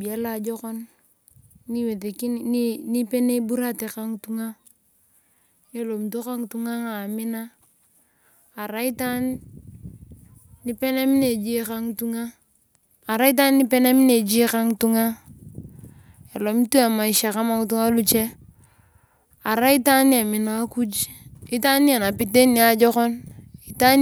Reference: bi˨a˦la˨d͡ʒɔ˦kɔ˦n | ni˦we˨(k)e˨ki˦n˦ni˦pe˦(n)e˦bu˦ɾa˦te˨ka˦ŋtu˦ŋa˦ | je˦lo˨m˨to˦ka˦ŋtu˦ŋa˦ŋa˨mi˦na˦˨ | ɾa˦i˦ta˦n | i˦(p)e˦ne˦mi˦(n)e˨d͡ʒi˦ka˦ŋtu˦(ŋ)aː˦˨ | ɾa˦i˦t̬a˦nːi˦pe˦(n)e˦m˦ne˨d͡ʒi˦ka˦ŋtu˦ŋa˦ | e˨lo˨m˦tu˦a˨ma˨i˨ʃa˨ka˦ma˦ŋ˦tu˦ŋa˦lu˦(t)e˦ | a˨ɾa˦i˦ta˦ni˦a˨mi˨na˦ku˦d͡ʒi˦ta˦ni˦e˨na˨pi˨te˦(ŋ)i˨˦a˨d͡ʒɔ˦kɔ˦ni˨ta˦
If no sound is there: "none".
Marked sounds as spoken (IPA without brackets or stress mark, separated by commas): t, n, p, n, ŋ, n, t͡ʃ, n